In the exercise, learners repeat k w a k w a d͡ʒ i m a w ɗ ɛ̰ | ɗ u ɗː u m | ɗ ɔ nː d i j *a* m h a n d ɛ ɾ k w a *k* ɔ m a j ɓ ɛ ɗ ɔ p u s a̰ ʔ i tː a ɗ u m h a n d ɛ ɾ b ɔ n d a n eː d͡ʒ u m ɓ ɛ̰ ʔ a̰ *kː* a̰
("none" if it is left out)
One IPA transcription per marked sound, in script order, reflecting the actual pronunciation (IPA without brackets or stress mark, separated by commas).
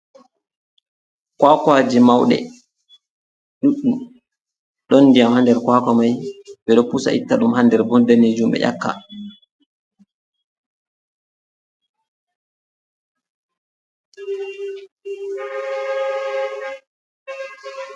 a, k, kː